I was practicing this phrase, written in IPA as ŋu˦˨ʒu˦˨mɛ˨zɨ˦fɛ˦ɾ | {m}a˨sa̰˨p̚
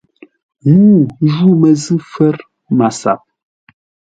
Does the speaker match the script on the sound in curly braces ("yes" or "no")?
yes